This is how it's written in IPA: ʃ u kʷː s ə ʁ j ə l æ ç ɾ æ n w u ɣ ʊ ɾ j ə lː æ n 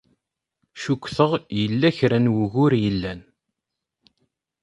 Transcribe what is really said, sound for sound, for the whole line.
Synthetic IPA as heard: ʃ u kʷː θ ə ʁ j ə lː æ ç ɾ æ n w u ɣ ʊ ɾ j ə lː æ n